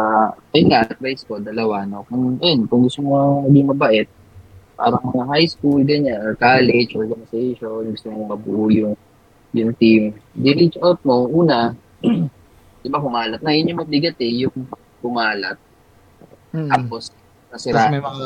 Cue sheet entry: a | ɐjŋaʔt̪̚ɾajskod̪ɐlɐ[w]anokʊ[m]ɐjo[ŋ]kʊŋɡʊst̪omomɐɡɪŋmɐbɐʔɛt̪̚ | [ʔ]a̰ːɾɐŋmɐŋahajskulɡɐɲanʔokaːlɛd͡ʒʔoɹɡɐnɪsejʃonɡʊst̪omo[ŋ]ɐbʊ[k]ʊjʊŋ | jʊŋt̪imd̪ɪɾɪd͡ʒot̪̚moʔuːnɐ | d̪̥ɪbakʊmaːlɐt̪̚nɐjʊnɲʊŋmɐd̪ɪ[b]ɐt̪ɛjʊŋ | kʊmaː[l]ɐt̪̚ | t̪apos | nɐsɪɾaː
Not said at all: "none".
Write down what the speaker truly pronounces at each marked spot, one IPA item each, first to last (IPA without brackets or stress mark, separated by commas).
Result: w, ŋ, n, p, m, ʔ, ɡ, l